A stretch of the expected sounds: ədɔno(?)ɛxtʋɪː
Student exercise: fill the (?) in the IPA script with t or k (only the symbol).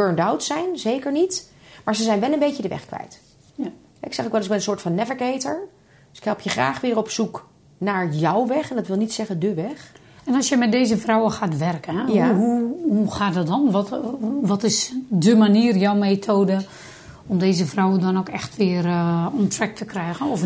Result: k